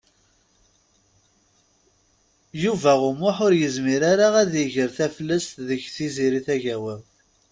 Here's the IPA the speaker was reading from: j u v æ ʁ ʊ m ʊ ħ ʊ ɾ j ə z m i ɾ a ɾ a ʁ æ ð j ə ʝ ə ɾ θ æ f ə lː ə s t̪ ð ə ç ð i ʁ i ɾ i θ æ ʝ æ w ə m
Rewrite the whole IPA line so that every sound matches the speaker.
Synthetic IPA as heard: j u v æ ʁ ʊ m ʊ ħ ʊ ɾ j ə z m i ɾ a ɾ a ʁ æ ð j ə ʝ ə ɾ θ æ f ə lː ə s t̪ ð ə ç θ i z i ɾ i θ æ ʝ æ w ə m